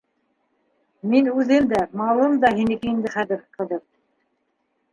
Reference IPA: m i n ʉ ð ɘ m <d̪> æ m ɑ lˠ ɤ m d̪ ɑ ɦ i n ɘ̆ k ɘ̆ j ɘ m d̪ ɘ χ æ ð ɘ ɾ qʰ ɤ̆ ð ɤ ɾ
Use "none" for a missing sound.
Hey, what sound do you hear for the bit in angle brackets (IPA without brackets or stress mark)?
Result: d̪